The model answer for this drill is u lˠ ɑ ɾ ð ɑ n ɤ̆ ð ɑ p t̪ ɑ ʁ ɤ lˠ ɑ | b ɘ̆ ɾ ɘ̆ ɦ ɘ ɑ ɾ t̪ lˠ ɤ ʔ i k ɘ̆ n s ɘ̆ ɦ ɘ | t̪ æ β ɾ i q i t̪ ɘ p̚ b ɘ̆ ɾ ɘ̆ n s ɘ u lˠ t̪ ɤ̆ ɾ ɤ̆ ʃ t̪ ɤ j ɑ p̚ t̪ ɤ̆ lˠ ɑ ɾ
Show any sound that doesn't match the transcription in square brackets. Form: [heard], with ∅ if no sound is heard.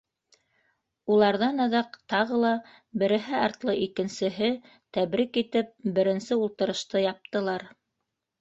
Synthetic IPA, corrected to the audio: u lˠ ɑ ɾ ð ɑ n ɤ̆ ð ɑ [q] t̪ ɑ ʁ ɤ lˠ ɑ | b ɘ̆ ɾ ɘ̆ ɦ ɘ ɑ ɾ t̪ lˠ ɤ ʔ i k ɘ̆ n s ɘ̆ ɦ ɘ | t̪ æ β ɾ i [k] i t̪ ɘ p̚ b ɘ̆ ɾ ɘ̆ n s ɘ u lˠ t̪ ɤ̆ ɾ ɤ̆ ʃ t̪ ɤ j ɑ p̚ t̪ ɤ̆ lˠ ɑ ɾ